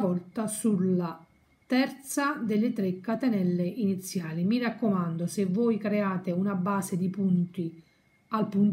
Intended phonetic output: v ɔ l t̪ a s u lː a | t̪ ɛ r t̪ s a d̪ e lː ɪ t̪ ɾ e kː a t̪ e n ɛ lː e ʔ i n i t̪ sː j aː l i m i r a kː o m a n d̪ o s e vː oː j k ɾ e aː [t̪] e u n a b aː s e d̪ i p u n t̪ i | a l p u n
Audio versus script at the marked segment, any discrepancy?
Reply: no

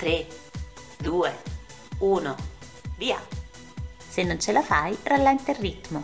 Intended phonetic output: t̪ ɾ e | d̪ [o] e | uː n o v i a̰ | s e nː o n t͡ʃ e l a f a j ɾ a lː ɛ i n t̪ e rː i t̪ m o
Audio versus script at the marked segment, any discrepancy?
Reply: yes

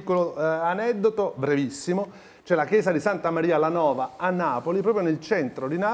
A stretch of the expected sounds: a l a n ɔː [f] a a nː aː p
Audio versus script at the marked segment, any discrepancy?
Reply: yes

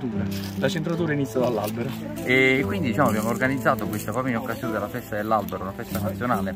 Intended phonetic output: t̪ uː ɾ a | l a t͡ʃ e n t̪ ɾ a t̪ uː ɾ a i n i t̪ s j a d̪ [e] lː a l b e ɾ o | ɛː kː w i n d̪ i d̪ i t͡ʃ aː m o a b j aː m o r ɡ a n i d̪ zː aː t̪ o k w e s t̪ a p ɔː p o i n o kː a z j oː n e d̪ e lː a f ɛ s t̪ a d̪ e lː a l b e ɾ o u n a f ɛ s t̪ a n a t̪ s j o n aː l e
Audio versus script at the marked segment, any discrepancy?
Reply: yes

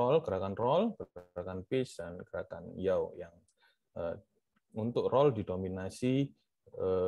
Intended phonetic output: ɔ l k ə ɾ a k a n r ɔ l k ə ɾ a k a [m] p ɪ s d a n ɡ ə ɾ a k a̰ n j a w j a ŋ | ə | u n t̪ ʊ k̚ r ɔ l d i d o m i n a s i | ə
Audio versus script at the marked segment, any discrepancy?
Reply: yes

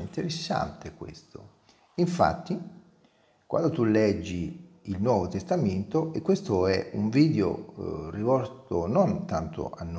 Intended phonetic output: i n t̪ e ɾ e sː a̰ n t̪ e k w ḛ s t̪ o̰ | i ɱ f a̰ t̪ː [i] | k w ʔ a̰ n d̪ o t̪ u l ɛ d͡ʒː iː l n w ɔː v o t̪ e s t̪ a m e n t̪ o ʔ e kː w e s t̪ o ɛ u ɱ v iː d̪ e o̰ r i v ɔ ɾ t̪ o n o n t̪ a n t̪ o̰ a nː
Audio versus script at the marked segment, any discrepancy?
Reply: no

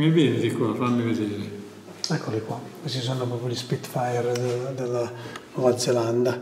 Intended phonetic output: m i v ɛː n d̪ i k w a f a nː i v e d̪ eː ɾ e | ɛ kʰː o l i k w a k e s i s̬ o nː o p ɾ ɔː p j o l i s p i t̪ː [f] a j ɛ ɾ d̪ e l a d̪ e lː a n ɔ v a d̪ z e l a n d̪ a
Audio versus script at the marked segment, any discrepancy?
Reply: no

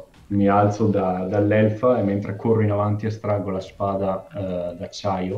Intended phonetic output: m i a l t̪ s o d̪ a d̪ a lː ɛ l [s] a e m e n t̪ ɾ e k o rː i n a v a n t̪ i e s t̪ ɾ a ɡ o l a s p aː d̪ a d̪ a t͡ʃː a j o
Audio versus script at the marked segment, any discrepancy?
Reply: yes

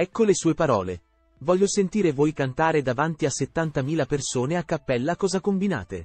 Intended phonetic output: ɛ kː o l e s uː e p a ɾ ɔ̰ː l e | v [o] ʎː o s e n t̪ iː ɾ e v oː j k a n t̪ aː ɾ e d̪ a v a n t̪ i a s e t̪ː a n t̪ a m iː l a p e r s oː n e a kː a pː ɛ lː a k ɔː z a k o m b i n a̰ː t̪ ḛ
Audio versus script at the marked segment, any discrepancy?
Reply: yes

